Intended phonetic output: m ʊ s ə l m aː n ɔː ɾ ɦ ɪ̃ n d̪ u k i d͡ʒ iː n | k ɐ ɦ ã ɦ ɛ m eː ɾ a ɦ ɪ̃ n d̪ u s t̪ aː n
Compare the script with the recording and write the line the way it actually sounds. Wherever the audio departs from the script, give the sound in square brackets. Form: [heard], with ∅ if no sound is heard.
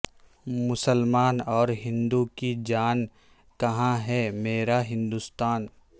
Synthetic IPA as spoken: m ʊ s ə l m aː n ɔː ɾ ɦ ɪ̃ n d̪ u k i d͡ʒ [aː] n | k ɐ ɦ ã ɦ ɛ m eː ɾ a ɦ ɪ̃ n d̪ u s t̪ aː n